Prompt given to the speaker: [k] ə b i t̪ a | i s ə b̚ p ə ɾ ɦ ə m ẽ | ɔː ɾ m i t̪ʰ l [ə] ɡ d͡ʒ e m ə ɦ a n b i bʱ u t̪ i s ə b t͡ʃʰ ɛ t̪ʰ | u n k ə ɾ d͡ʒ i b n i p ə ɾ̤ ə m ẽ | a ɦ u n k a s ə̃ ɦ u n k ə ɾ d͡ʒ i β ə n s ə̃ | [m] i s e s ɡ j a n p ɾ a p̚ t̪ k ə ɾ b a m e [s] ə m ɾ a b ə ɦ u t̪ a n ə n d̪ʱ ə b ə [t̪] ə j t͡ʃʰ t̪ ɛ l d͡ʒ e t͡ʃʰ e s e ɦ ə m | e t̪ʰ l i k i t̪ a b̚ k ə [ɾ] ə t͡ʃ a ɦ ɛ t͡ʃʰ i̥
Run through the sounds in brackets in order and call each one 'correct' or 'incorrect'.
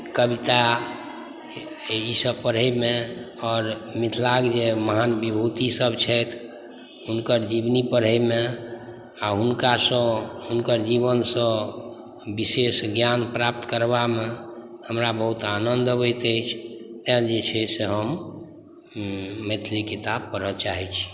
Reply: correct, incorrect: a, incorrect: b, incorrect: h, correct, correct

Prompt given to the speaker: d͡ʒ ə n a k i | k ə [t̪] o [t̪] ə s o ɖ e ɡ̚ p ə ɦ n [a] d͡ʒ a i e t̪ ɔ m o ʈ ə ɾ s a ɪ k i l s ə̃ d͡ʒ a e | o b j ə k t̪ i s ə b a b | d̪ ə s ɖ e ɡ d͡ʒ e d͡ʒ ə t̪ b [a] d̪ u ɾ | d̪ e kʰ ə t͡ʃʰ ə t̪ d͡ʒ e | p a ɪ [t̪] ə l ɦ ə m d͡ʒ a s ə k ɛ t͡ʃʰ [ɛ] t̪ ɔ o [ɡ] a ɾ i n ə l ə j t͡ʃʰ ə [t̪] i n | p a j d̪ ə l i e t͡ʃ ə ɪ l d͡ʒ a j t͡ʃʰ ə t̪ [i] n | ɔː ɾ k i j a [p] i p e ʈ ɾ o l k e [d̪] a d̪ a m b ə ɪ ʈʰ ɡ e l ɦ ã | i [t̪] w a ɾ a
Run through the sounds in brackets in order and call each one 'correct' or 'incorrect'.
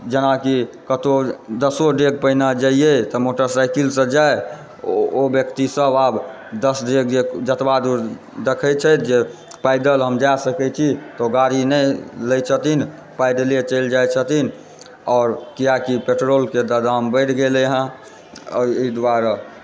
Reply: correct, incorrect: d̪, correct, correct, incorrect: d̪, incorrect: i, correct, correct, correct, incorrect: k, correct, incorrect: d̪

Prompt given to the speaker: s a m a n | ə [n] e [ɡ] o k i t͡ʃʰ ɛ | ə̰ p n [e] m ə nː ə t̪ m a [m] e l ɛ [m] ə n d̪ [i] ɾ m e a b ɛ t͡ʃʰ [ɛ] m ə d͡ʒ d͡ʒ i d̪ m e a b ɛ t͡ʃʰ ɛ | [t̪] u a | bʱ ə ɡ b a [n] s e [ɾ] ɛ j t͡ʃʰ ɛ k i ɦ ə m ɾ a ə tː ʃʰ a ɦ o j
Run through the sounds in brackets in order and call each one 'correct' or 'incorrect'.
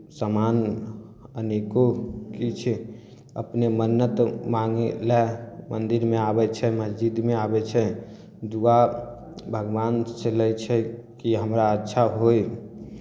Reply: correct, incorrect: k, correct, incorrect: ŋ, correct, correct, correct, incorrect: d̪, correct, incorrect: l

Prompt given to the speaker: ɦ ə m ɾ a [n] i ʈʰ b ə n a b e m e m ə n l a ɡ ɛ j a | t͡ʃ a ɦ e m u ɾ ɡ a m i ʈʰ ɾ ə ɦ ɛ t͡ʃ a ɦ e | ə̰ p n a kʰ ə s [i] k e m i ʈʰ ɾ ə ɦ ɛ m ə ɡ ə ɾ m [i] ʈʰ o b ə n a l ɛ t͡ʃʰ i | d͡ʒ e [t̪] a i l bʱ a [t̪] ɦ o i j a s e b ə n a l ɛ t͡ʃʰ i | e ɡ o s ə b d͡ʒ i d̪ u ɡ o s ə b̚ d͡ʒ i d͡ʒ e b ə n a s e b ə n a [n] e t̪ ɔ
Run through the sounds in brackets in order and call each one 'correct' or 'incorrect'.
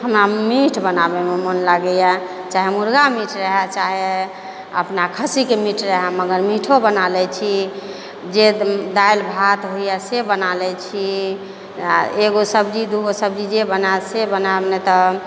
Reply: incorrect: m, correct, correct, incorrect: d̪, correct, correct

